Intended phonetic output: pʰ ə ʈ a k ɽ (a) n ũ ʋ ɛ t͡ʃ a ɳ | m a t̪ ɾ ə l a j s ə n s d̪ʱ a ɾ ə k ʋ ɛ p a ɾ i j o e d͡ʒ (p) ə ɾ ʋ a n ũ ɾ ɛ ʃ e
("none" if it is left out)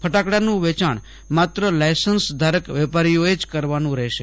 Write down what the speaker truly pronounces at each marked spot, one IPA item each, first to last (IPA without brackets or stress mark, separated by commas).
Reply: a, k